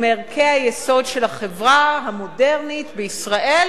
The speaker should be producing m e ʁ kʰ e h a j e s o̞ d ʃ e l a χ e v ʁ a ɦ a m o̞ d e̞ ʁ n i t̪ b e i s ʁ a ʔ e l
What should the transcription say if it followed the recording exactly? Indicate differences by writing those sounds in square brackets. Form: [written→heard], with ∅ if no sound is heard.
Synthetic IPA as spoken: m e ʁ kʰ e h a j e s o̞ d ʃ e l a χ e v ʁ a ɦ a m o̞ d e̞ ʁ n i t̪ b e i s ʁ a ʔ e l

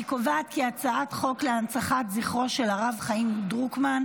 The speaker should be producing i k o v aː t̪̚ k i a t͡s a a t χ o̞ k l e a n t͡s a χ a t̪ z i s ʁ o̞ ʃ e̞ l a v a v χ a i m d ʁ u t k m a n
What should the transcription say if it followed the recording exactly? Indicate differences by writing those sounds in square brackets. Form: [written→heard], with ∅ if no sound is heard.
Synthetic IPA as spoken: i k o v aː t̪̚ k i a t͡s a a t χ o̞ k l e a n t͡s a χ a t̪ z i [s→χ] ʁ o̞ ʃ e̞ l a [v→ʁ] a v χ a i m d ʁ u [t→∅] k m a n

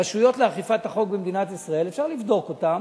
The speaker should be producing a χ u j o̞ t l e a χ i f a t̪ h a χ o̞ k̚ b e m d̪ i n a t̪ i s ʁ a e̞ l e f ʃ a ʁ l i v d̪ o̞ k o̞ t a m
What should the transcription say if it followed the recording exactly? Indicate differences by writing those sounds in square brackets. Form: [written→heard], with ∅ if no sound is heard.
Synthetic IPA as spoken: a [χ→ʃ] u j o̞ t l e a χ i f a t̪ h a χ o̞ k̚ b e m d̪ i n a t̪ i s ʁ a e̞ l e f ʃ a ʁ l i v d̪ o̞ k o̞ t a m

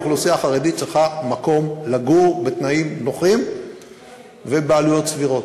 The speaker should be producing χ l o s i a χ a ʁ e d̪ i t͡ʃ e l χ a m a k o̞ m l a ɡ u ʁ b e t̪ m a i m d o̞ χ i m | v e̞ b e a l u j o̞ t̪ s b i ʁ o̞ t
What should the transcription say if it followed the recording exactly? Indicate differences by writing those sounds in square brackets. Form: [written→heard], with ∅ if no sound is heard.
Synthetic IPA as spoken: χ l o s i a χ a ʁ e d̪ i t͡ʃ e l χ a m a k o̞ m l a ɡ u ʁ b e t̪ [m→n] a i m [d→n] o̞ χ i m | v e̞ b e a l u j o̞ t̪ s [b→v] i ʁ o̞ t

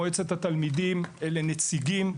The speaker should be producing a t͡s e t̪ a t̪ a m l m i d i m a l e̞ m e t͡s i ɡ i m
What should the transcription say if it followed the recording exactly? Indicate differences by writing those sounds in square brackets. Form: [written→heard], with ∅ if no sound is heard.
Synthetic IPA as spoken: [a→e] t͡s e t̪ a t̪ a [m→∅] l m i d i m [a→e] l e̞ [m→n] e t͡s i ɡ i m

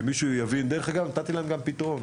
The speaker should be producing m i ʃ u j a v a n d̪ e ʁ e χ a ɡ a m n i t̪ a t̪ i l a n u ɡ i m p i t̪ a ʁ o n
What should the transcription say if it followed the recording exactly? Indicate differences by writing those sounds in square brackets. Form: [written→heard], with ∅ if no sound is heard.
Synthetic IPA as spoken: m i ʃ u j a v [a→i] n d̪ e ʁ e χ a ɡ a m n [i→a] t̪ a t̪ i l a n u ɡ [i→a] m p i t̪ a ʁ o n

